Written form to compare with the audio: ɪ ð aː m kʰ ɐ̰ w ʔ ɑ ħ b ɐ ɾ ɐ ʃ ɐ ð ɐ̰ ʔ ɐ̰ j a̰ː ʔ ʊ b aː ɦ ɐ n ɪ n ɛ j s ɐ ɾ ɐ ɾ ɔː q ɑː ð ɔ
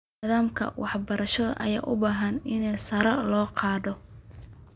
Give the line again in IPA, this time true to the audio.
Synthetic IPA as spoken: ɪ ð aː m kʰ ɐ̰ w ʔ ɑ ħ b ɐ ɾ ɐ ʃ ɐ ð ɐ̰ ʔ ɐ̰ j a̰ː ʔ ʊ b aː ɦ ɐ n ɪ n ɛ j s ɐ ɾ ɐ l ɔː q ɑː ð ɔ